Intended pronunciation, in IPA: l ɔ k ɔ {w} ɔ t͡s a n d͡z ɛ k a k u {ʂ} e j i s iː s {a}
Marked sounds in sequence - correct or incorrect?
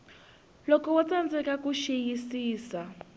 correct, incorrect: ʃ, correct

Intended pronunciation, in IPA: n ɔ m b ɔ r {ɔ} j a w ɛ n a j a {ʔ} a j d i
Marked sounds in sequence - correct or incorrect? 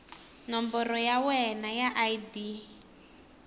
correct, correct

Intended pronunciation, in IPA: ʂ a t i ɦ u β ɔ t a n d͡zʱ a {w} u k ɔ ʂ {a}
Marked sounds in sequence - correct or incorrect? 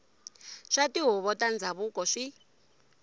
incorrect: β, incorrect: i

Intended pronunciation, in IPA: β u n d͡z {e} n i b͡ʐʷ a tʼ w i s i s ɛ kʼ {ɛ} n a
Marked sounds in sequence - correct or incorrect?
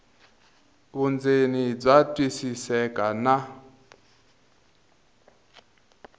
correct, incorrect: a

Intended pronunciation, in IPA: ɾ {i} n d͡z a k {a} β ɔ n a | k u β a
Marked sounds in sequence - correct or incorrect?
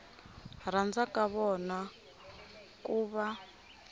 incorrect: a, correct

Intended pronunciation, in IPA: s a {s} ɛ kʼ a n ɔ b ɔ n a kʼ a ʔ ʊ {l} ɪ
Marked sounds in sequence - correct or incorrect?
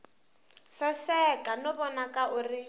correct, incorrect: r

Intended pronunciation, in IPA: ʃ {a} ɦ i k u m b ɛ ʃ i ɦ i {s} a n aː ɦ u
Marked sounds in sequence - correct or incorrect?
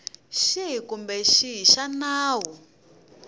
incorrect: i, incorrect: ʃ

